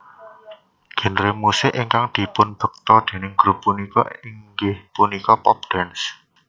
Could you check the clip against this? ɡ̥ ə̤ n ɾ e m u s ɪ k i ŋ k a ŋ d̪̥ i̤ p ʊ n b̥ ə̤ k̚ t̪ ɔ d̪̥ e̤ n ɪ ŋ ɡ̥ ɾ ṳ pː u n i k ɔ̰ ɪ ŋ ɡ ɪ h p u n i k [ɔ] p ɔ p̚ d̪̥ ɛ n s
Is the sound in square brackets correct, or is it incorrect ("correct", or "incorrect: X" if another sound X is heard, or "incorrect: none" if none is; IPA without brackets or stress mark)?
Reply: correct